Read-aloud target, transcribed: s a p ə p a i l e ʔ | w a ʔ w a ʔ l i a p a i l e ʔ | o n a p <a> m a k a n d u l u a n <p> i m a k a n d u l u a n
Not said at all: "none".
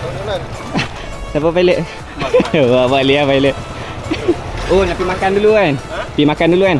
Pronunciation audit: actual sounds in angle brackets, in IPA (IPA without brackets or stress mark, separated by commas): i, p